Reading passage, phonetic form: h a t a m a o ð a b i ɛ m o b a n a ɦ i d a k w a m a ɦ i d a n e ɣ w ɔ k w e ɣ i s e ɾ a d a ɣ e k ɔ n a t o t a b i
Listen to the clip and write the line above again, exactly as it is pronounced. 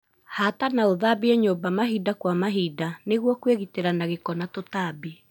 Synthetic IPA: h a t a n a o ð a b i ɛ ɲ o b a m a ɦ i d a k w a m a ɦ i d a n e ɣ w ɔ k w e ɣ i t e ɾ a n a ɣ e k ɔ n a t o t a b i